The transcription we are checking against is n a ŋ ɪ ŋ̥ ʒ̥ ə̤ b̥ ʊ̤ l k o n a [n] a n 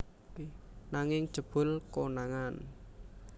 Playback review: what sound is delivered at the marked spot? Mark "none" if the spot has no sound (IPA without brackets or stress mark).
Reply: ŋ